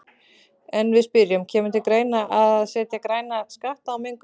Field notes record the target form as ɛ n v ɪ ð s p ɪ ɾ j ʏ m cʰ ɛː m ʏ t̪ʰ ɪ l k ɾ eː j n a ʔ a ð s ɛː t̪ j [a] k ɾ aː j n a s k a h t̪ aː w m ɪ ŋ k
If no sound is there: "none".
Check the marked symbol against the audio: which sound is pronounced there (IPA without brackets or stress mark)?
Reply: a